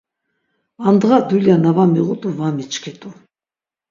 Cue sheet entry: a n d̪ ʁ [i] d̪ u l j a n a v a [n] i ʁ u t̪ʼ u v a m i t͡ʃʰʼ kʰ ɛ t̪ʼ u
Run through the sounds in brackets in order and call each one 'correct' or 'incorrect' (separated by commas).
incorrect, incorrect